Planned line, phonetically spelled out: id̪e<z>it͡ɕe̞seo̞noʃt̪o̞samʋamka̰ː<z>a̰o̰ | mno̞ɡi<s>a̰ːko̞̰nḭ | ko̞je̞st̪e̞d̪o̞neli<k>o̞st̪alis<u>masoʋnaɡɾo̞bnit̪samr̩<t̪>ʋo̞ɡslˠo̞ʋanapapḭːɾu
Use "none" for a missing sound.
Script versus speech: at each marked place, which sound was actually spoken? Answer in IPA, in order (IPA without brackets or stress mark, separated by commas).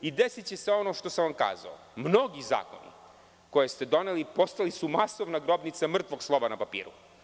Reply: s, z, z, p, u, t̪